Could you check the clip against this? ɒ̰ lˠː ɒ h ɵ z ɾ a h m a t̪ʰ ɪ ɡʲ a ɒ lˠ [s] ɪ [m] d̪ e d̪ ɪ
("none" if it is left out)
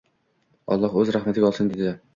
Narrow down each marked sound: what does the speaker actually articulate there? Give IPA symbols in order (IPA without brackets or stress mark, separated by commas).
s, n